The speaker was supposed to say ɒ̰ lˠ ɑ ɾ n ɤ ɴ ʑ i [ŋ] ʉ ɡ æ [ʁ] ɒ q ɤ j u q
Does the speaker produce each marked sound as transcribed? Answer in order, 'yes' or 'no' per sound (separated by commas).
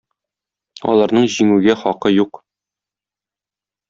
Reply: yes, no